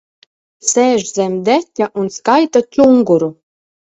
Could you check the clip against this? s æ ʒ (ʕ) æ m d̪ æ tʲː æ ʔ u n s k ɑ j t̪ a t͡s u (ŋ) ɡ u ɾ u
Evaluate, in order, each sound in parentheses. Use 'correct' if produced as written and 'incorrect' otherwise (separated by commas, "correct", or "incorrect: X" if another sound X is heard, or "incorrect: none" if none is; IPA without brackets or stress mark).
incorrect: z, correct